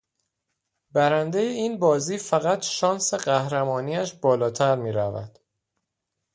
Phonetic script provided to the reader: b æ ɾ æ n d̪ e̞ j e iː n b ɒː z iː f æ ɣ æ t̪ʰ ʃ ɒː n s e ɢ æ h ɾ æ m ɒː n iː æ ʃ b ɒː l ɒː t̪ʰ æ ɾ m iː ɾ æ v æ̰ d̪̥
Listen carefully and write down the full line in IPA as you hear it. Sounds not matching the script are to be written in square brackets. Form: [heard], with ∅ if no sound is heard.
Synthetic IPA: b æ ɾ æ n d̪ e̞ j e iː n b ɒː z iː f æ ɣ æ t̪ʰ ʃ ɒː n s e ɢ æ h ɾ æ m ɒː n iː æ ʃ b ɒː l ɒː t̪ʰ æ ɾ m iː ɾ æ v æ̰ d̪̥